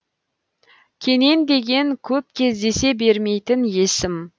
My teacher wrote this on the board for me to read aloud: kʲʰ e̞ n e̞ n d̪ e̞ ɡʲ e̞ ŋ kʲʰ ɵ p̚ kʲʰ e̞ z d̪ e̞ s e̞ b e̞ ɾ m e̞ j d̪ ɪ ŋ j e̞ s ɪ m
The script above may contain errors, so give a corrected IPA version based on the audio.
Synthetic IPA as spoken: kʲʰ e̞ n e̞ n d̪ e̞ ɡʲ e̞ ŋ kʲʰ ɵ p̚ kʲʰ e̞ z d̪ e̞ s e̞ b e̞ ɾ m e̞ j t̪ ɪ n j e̞ s ɪ m